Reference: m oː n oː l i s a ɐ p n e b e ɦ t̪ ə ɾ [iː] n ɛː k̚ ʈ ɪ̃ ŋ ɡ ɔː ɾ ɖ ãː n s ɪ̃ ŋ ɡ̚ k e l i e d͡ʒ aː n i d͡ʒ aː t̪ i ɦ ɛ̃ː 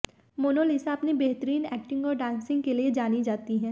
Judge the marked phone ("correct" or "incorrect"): correct